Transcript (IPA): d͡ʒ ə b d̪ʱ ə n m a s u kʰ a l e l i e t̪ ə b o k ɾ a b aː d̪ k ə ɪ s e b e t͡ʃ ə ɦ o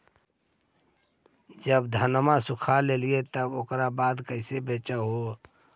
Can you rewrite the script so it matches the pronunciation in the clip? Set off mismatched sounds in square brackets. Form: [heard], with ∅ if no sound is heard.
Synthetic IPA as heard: d͡ʒ ə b d̪ʱ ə n m a s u kʰ a l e l i e t̪ ə b o k ɾ a b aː d̪ k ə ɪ s e b e t͡ʃ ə ɦ o